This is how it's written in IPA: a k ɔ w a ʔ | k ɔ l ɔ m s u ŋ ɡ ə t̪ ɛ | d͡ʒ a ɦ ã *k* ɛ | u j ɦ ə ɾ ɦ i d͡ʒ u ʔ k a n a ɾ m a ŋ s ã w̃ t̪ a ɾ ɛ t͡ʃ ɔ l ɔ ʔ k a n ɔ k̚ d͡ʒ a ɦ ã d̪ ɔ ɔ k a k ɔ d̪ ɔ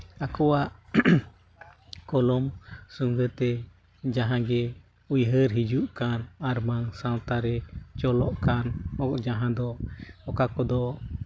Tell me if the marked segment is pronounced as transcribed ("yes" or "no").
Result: no